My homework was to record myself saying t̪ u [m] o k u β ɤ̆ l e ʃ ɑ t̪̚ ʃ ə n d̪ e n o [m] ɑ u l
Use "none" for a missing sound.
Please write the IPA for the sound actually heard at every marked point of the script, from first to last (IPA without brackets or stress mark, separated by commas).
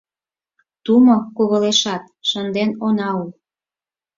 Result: m, n